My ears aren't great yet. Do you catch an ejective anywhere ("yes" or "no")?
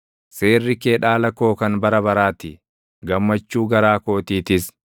no